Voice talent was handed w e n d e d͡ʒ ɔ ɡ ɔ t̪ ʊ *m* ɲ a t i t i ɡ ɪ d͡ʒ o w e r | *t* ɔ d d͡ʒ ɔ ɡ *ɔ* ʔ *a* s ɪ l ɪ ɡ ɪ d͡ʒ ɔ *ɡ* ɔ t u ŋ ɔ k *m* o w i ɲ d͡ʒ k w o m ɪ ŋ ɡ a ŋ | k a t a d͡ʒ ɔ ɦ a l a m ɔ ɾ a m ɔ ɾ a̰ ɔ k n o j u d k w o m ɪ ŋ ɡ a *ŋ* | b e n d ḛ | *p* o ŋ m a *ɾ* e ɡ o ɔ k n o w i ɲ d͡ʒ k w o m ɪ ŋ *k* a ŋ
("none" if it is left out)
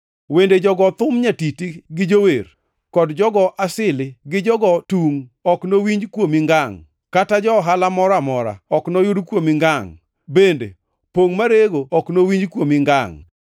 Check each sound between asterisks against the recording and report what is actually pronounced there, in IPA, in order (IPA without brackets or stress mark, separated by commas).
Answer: m, k, ɔ, a, ɡ, n, ŋ, p, ɾ, ɡ